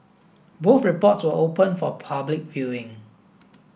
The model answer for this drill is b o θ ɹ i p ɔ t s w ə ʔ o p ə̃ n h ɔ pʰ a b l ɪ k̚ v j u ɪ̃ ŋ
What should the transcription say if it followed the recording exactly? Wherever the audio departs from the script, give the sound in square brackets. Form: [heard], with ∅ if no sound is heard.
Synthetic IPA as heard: b o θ ɹ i p ɔ t s w ə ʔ o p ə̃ n [f] ɔ pʰ a b l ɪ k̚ v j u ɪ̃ ŋ